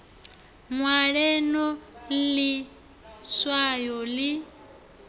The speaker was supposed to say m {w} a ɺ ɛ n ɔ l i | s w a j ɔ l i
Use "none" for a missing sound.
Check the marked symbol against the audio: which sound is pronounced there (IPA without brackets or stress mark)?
w